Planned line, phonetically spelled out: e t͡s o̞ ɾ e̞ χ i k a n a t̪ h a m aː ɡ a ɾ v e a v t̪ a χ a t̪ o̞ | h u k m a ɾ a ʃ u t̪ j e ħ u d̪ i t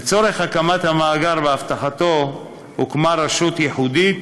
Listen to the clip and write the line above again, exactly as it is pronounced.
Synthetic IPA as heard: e t͡s o̞ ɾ e̞ χ a k a m a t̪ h a m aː ɡ a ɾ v e a f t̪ a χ a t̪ o̞ | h u k m a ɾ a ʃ u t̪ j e ħ u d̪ i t